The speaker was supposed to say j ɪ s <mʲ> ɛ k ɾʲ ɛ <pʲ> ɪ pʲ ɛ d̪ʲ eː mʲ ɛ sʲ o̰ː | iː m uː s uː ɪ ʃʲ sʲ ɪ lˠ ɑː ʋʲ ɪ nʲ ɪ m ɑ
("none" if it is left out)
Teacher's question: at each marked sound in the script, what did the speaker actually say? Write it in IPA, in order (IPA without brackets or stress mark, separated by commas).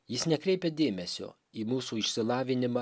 nʲ, none